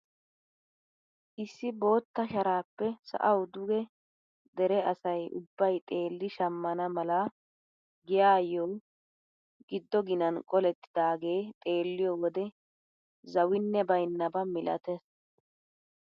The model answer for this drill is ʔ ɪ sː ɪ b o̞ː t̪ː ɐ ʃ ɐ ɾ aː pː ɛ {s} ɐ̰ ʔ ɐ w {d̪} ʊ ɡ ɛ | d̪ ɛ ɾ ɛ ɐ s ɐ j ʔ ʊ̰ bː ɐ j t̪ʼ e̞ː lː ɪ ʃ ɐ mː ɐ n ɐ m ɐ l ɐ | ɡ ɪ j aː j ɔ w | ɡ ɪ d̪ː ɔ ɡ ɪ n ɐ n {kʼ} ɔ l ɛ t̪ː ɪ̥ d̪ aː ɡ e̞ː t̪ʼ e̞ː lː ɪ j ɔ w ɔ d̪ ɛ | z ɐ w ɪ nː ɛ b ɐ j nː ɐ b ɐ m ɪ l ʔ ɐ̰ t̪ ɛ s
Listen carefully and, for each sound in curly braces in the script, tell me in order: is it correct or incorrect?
correct, correct, correct

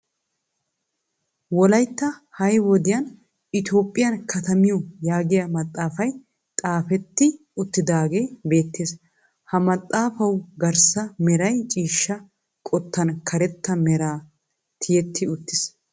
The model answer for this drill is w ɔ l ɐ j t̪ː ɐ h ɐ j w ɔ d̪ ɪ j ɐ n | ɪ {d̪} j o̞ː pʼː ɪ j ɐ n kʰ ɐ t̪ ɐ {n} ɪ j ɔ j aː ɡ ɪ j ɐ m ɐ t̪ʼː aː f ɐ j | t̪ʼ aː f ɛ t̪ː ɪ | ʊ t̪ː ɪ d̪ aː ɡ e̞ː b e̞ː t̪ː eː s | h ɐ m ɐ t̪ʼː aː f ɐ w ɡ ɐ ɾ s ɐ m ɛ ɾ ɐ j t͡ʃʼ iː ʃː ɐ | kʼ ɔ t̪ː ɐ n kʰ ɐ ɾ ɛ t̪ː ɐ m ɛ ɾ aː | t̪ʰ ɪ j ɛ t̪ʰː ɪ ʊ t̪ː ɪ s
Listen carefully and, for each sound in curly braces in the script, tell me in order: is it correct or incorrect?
incorrect, incorrect

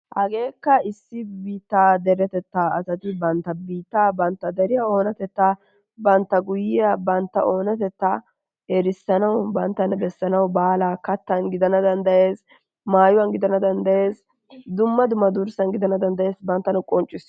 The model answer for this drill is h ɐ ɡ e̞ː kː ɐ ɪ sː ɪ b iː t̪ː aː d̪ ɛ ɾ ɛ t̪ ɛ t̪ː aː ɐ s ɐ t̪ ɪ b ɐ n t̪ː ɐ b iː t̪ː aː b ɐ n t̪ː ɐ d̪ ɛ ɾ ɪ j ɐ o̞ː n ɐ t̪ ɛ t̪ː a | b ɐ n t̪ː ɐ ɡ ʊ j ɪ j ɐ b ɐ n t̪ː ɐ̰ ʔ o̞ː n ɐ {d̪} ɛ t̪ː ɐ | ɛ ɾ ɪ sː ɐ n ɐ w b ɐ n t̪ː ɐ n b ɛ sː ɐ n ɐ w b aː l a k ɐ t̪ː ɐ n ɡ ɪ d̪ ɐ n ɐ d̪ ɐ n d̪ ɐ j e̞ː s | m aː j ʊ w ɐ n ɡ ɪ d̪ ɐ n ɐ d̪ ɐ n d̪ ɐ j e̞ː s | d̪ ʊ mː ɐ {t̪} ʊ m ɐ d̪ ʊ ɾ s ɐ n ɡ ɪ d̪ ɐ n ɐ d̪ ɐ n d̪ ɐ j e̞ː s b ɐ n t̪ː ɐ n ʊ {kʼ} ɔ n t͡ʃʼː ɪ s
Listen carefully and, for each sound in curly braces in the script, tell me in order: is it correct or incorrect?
incorrect, incorrect, correct

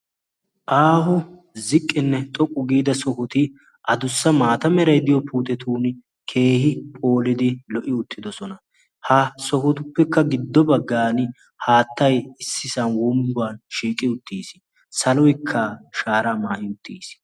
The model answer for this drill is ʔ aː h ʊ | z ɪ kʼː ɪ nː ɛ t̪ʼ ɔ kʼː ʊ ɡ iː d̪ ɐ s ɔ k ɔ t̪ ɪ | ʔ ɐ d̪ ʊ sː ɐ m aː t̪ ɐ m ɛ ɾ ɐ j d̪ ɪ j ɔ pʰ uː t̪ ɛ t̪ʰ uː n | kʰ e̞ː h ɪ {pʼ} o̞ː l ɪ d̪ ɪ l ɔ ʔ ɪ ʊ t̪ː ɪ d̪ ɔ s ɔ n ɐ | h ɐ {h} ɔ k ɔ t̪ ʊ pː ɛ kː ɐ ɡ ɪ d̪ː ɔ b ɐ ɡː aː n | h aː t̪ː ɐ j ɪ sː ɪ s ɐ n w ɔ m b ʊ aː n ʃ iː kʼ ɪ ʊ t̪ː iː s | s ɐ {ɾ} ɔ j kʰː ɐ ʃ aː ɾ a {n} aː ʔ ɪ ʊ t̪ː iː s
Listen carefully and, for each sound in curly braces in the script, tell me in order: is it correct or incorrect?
correct, incorrect, incorrect, incorrect

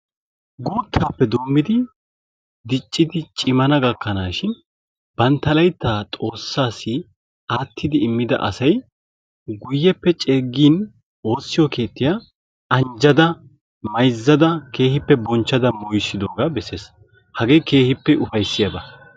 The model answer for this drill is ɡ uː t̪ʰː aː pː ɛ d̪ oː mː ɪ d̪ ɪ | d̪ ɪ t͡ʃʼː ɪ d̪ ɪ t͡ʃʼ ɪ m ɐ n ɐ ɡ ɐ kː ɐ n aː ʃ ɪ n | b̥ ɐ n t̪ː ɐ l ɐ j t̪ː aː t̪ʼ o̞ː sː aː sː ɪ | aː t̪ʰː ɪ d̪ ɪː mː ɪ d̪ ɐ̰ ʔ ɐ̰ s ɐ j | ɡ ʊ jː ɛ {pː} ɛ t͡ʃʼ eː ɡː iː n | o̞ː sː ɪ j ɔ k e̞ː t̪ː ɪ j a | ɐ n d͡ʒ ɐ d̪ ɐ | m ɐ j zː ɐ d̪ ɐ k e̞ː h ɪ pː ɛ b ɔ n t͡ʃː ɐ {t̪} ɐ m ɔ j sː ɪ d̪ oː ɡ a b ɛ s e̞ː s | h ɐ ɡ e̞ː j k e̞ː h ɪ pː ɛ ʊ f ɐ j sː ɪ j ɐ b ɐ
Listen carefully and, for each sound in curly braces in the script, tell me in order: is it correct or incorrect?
correct, incorrect

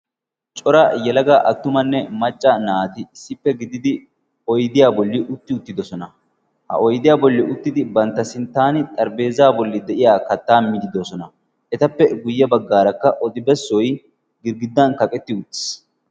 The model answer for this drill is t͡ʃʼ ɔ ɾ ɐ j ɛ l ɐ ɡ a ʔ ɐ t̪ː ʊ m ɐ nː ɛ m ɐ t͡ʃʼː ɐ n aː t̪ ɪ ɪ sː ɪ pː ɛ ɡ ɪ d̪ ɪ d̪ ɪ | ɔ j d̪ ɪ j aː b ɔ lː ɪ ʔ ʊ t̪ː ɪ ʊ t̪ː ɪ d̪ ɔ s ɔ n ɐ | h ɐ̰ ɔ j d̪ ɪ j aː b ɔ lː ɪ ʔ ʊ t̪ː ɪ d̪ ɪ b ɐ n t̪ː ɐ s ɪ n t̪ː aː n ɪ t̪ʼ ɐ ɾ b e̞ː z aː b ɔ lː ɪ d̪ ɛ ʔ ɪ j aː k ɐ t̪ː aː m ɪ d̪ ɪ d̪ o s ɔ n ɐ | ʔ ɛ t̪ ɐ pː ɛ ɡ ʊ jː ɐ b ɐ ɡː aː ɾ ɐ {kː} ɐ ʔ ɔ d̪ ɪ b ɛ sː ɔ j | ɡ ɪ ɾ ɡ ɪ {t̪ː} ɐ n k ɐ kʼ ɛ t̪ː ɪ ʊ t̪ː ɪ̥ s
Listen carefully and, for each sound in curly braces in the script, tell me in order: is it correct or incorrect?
correct, incorrect

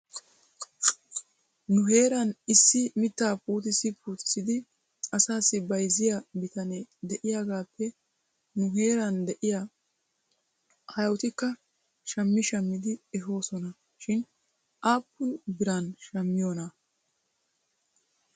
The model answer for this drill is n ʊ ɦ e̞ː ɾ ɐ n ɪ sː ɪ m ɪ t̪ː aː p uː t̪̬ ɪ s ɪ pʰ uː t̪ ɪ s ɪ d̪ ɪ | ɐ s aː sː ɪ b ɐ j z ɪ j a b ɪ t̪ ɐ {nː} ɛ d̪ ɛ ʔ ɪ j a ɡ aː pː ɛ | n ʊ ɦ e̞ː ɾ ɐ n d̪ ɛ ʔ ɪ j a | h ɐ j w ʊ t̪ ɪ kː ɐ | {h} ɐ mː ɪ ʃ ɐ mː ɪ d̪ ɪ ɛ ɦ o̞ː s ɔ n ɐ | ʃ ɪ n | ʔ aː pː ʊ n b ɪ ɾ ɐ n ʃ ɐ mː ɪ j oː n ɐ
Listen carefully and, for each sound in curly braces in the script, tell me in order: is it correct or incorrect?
incorrect, incorrect

